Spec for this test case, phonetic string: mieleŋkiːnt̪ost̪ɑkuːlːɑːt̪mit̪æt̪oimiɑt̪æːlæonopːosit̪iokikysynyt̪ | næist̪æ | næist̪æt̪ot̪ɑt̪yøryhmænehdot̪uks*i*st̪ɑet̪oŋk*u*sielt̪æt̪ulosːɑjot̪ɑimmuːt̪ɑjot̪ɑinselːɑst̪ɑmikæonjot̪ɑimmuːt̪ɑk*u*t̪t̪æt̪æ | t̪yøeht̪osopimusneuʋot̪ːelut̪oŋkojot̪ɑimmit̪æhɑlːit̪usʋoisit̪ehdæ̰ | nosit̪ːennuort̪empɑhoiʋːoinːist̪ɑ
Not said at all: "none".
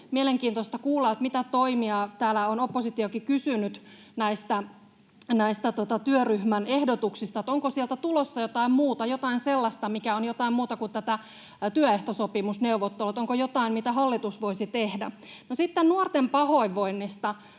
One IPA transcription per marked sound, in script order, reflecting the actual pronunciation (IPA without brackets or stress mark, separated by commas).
i, o, u